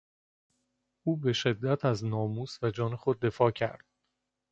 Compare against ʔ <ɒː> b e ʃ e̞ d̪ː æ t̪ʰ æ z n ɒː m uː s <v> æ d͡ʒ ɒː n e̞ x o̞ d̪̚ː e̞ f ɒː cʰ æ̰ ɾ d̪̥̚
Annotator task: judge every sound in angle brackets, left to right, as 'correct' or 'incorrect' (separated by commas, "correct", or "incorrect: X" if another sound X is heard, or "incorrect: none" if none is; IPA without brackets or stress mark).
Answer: incorrect: uː, correct